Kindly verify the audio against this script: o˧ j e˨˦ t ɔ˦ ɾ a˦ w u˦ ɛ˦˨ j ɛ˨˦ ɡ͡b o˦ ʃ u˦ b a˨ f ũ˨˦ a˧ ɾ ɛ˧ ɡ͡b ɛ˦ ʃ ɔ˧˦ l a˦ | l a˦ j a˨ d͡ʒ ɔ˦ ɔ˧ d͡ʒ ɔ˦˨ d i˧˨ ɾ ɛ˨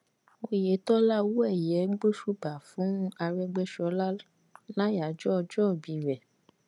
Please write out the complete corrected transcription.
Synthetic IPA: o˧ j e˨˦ t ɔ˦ l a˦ w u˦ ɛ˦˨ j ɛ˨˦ ɡ͡b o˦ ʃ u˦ b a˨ f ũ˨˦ a˧ ɾ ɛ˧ ɡ͡b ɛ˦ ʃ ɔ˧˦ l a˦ | l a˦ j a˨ d͡ʒ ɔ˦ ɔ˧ d͡ʒ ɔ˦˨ b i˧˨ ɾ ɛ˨